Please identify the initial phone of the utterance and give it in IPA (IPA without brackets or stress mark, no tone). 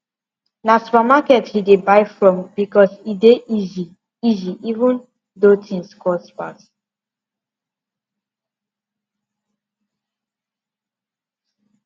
n